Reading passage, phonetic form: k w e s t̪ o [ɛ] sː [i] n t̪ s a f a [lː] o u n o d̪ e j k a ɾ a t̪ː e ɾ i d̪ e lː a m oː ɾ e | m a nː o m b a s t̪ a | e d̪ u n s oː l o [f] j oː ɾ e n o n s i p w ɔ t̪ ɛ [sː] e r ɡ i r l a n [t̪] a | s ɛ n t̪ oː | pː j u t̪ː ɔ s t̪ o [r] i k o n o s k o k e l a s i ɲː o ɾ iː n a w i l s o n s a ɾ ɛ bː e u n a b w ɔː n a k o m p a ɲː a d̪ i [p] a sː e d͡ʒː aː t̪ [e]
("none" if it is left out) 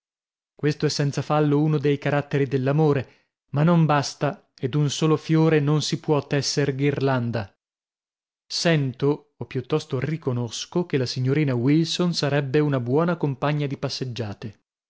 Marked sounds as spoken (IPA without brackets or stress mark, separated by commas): ɛ, ɛ, lː, f, sː, d̪, r, p, e